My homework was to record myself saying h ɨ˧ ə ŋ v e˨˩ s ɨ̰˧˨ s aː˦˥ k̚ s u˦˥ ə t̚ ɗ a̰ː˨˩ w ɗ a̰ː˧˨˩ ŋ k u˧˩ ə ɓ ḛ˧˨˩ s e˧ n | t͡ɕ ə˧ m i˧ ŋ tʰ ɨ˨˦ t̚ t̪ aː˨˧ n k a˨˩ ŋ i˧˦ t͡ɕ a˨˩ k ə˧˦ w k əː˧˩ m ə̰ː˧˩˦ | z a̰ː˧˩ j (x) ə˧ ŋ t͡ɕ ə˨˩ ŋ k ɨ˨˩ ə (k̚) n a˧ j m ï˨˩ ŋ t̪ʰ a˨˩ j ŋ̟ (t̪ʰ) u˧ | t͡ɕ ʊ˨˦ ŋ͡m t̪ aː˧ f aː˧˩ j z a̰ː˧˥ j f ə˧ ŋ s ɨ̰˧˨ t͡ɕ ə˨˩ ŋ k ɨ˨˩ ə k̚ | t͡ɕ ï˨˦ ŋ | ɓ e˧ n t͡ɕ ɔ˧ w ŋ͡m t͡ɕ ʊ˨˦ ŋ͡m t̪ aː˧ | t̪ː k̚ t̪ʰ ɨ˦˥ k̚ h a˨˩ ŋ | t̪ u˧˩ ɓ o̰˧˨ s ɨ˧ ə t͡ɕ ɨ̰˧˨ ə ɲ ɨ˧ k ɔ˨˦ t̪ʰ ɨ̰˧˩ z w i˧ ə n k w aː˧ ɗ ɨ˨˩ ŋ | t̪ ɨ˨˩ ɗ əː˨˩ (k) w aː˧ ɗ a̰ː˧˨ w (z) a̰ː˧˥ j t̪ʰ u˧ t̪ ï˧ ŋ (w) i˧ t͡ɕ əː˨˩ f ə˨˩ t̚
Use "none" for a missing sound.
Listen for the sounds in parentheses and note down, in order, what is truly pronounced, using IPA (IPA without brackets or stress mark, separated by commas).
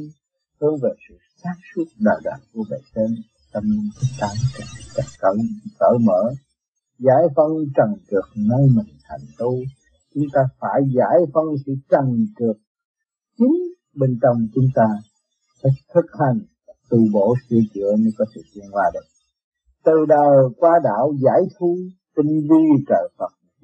f, k̚, t̪, k, z, v